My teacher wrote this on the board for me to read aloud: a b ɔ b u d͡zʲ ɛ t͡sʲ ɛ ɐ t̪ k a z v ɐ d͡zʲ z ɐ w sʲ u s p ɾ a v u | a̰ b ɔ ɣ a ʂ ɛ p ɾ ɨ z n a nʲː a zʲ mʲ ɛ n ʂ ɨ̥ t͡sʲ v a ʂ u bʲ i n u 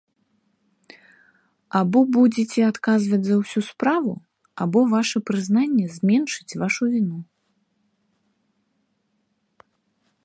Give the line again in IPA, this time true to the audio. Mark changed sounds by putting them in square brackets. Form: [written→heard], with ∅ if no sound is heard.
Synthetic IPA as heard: a b ɔ b u d͡zʲ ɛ t͡sʲ ɛ [ɐ→a] t̪ k a z v ɐ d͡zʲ z ɐ w sʲ u s p ɾ a v u | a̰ b ɔ [ɣ→v] a ʂ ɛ p ɾ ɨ z n a nʲː [a→ɛ] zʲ mʲ ɛ n ʂ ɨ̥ t͡sʲ v a ʂ u [bʲ→vʲ] i n u